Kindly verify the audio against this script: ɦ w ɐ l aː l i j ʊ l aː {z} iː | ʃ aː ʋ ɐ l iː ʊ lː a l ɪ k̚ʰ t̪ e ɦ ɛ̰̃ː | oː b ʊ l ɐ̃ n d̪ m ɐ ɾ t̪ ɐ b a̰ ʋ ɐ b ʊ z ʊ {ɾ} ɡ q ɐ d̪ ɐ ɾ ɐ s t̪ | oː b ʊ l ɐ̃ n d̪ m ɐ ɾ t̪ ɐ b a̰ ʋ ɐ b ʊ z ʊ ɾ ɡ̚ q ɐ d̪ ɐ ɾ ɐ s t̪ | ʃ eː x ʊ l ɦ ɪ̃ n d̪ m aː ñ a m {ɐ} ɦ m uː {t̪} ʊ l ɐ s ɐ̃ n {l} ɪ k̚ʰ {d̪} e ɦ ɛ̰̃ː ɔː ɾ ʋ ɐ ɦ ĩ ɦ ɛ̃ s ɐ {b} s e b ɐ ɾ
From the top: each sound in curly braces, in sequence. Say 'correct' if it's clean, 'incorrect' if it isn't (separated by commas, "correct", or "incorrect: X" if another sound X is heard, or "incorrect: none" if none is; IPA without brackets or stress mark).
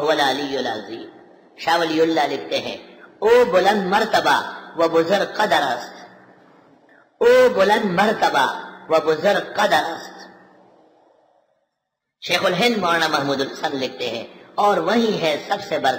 correct, correct, correct, incorrect: d̪, correct, incorrect: t̪, correct